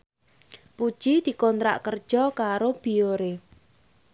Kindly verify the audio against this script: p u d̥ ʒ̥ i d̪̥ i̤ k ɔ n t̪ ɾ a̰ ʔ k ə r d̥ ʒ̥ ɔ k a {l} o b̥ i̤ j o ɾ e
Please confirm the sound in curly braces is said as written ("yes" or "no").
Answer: no